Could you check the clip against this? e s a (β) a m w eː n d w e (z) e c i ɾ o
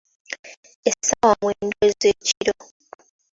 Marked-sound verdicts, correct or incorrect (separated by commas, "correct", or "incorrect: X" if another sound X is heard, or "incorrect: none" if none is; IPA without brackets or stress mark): incorrect: w, correct